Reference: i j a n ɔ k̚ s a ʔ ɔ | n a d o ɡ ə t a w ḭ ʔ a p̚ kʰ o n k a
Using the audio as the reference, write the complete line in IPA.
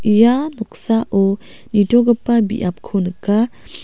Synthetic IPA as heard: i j a n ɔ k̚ s a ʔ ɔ | n i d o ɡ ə p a b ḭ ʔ a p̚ kʰ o n k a